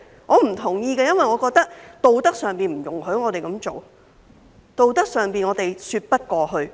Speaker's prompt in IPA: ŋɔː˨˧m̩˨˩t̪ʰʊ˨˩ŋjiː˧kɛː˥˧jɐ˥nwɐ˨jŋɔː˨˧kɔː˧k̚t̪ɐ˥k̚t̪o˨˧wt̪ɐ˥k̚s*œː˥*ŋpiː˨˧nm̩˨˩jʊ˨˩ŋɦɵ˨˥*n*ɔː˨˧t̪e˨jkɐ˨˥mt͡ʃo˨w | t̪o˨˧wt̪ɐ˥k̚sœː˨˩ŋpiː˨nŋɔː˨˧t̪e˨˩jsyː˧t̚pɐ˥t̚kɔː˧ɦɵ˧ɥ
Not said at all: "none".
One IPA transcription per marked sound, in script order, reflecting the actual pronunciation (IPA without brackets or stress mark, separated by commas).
œː˨, ŋ